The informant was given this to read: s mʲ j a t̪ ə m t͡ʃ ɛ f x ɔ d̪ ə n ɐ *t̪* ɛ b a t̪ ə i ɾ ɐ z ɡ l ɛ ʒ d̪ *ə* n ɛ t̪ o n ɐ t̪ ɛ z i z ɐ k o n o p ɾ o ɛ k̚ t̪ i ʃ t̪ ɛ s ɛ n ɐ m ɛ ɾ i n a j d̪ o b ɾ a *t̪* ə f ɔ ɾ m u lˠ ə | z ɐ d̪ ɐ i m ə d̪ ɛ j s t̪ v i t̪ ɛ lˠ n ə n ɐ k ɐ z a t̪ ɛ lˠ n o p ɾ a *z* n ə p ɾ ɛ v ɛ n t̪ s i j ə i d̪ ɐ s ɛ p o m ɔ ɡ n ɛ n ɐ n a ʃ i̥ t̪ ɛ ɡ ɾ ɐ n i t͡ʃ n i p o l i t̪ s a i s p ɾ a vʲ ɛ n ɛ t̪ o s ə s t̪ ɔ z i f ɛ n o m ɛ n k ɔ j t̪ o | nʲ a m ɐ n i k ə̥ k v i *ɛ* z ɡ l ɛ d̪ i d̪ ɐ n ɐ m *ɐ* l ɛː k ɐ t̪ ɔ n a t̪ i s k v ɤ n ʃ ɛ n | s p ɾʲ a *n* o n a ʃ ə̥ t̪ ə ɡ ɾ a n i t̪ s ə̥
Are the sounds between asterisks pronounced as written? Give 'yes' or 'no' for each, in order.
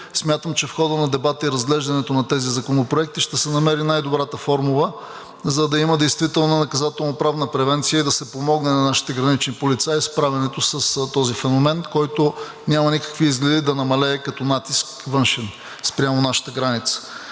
no, no, yes, no, no, yes, no

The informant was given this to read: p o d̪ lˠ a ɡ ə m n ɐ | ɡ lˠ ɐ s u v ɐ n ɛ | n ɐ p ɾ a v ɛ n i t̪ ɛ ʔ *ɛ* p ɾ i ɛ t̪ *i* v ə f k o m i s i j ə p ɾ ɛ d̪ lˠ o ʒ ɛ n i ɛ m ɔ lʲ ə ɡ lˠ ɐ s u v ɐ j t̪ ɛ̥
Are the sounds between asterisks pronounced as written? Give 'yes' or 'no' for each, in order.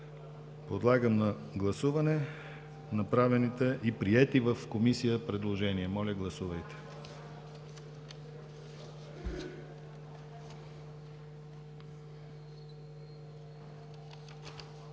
no, yes

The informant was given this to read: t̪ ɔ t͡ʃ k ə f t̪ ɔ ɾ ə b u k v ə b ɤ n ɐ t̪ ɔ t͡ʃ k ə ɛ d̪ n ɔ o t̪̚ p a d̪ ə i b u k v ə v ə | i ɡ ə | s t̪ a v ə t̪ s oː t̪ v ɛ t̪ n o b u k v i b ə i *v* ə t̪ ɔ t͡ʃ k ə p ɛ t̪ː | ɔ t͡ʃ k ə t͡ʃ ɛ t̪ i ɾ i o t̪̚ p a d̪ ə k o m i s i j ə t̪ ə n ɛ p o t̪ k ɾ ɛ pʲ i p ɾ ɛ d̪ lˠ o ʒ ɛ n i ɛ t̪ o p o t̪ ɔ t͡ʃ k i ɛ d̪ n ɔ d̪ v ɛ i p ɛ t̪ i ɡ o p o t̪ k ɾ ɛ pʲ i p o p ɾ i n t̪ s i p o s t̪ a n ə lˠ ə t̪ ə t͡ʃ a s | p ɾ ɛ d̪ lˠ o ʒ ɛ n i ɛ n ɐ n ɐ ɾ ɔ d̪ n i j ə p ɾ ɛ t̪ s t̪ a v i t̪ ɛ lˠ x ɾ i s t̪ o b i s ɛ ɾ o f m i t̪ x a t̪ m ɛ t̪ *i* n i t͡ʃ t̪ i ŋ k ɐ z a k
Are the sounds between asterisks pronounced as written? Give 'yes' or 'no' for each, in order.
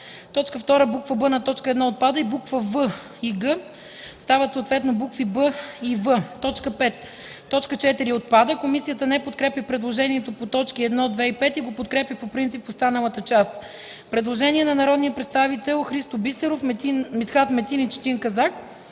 yes, yes

